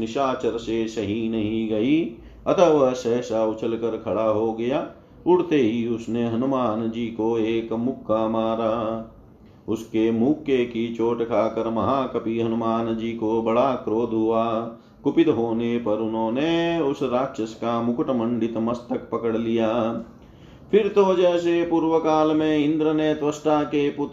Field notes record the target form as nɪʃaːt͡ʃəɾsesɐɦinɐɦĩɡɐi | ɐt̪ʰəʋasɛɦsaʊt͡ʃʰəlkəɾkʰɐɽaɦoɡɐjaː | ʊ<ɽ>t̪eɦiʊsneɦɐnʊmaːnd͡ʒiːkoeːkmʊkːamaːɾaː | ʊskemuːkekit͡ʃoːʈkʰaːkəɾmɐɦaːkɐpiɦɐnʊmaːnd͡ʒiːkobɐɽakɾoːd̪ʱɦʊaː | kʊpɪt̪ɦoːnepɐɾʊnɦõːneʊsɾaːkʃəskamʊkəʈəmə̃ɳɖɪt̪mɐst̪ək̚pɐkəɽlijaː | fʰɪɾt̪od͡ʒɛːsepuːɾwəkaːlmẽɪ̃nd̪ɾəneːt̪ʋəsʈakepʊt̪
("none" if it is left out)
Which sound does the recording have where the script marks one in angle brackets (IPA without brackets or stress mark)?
ɽ